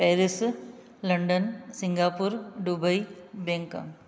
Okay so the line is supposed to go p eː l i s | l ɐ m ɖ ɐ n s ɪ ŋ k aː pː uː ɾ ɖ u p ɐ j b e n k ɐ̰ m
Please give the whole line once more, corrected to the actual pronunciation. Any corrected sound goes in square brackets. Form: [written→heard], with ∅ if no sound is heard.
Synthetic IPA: p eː [l→ɾ] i s | l ɐ [m→ɳ] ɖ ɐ n s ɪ ŋ [k→ɡ] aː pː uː ɾ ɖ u [p→b] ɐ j b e [n→ŋ] k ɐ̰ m